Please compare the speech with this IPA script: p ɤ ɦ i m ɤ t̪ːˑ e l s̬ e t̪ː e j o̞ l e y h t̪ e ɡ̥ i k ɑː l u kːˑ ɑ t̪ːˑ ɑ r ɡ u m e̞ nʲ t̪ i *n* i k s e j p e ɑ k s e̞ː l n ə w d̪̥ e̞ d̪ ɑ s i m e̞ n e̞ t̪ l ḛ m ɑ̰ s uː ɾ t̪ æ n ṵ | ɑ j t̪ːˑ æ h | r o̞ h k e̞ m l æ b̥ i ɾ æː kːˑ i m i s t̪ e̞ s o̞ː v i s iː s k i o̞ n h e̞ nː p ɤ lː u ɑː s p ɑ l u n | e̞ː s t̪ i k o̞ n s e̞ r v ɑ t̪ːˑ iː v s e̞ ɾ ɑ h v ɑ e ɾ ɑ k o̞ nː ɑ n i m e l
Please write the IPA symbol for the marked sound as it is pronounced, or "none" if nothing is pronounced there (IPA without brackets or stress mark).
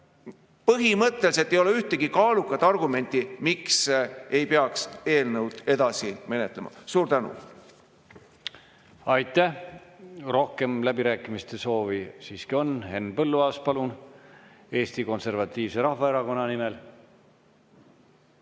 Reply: m